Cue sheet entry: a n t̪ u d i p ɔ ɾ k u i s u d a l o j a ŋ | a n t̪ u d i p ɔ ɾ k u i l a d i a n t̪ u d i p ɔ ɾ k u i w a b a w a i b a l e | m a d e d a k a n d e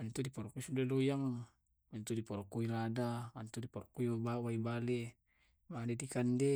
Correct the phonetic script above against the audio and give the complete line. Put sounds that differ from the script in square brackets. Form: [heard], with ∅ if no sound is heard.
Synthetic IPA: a n t̪ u d i p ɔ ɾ k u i s u d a l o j a ŋ | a n t̪ u d i p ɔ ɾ k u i l a d [a] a n t̪ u d i p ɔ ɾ k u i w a b a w a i b a l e | m a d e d [i] k a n d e